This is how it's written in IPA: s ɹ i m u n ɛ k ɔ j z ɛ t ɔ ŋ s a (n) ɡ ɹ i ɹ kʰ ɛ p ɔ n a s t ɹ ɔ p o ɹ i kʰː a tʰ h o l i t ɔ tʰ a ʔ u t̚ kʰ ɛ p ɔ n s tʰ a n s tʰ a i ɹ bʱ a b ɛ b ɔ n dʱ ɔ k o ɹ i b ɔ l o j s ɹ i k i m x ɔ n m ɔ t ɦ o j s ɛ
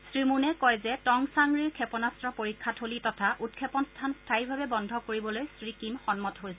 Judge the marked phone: incorrect: ŋ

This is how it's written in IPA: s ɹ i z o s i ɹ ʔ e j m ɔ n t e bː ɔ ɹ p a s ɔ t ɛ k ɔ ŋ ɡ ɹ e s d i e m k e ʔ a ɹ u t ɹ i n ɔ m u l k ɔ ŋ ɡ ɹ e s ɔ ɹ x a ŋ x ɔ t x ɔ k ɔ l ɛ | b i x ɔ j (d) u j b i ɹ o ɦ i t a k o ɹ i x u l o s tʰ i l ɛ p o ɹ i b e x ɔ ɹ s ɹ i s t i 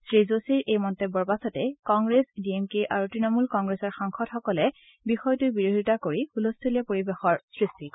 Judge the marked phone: incorrect: t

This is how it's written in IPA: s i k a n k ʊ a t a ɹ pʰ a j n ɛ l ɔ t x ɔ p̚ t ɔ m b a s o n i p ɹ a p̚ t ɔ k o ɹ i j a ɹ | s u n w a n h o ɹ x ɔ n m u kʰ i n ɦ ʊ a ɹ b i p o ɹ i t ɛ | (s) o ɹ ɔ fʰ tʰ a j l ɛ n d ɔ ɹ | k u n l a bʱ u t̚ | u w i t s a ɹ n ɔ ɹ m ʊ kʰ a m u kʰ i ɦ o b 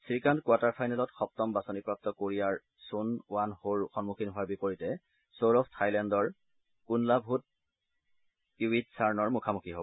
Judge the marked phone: correct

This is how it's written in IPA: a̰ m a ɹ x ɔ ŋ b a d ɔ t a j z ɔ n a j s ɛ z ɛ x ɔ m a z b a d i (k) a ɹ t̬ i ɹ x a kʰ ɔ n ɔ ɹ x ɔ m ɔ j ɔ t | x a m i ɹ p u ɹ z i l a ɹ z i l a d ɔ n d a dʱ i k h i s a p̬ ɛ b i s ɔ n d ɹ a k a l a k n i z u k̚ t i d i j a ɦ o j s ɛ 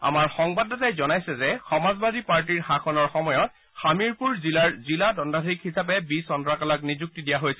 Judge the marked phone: incorrect: p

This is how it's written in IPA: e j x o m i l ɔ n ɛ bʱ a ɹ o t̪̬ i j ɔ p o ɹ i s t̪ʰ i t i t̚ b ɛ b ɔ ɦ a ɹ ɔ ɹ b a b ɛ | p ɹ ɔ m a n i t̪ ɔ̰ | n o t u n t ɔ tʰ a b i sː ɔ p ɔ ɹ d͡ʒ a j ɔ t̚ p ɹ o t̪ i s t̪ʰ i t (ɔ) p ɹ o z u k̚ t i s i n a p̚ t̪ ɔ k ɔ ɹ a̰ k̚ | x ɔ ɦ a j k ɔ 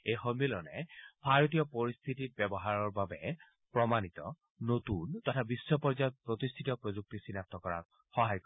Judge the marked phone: correct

